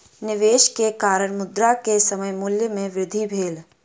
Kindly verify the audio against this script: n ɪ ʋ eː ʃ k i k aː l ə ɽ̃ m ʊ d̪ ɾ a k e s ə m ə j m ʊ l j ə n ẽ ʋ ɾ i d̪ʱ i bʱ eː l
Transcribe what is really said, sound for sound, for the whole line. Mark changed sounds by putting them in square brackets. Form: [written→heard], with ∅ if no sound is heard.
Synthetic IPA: n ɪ ʋ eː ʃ k [i→e] k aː [l→ɾ] ə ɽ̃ m ʊ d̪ ɾ a k e s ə m ə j m ʊ l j ə [n→m] ẽ ʋ ɾ [i→ɪ] d̪ʱ i bʱ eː l

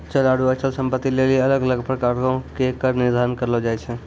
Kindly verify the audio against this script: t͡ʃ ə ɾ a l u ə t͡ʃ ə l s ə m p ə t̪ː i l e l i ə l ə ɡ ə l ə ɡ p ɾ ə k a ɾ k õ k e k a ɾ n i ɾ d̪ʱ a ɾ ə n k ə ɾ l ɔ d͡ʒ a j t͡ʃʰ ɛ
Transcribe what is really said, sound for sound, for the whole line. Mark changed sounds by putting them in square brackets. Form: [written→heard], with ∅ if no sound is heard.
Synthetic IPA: t͡ʃ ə [ɾ→l] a [l→ɽ] u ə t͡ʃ ə l s ə m p ə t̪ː i l e l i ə l ə ɡ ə l ə ɡ p ɾ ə k a ɾ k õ k e k [a→ə] ɾ n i ɾ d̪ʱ a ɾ ə n k ə ɾ l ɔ d͡ʒ a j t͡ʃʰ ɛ

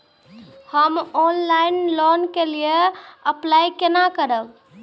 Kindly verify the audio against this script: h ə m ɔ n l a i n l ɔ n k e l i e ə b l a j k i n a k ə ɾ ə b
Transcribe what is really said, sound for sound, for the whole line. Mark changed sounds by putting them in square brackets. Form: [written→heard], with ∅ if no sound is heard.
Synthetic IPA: h ə m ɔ n l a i n l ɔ n k e l i e ə [b→p] l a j k [i→e] n a k ə ɾ ə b

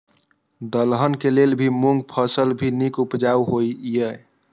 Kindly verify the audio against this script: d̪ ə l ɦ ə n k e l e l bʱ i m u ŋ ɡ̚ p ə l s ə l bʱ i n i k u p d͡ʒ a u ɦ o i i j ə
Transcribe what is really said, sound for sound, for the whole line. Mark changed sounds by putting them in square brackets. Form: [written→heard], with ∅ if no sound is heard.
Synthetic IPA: d̪ ə l ɦ ə n k e l e l bʱ i m u ŋ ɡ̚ [p→pʰ] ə [l→∅] s ə l bʱ i n i k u p d͡ʒ a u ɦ o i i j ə

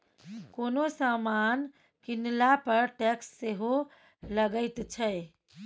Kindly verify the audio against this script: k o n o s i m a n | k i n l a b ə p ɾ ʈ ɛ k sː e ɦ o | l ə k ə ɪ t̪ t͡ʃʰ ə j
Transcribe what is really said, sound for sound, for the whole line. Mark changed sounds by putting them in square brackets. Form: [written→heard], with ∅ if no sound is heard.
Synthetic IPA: k o n o s [i→a] m a n | k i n l a [b→p] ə [p→∅] ɾ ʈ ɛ k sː e ɦ o | l ə [k→ɡ] ə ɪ t̪ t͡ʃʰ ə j

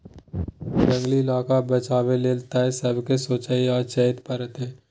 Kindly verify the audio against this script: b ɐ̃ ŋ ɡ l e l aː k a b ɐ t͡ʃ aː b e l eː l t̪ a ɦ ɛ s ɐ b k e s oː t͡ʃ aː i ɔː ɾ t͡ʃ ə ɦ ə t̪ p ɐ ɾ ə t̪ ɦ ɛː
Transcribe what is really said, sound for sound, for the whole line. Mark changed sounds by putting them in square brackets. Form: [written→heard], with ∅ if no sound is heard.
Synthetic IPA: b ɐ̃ ŋ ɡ l [e→i] l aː k a b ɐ t͡ʃ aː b e l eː l t̪ a ɦ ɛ s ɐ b k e s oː t͡ʃ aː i ɔː ɾ t͡ʃ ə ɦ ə t̪ p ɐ ɾ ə t̪ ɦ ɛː

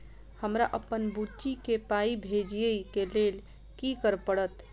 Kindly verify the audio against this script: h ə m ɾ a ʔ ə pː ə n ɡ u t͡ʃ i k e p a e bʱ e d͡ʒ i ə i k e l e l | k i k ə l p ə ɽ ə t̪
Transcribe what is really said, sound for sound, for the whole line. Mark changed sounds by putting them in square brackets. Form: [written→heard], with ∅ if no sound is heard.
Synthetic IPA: h ə m ɾ a ʔ ə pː ə n [ɡ→b] u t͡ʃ i k e p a [e→i] bʱ e d͡ʒ i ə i k e l e l | k i k ə [l→ɾ] p ə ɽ ə t̪

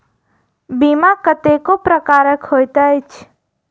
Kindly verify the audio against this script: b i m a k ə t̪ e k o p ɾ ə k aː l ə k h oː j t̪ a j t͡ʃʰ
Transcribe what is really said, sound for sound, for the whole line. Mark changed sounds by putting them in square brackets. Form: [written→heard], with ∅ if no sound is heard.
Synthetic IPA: b i m a k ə t̪ e k o p ɾ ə k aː [l→ɾ] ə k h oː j t̪ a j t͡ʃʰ

